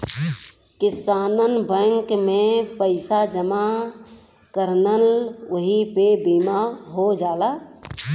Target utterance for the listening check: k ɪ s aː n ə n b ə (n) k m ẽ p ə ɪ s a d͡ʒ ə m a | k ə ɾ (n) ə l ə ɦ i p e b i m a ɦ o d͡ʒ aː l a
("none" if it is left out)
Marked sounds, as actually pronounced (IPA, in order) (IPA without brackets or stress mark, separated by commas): ŋ, n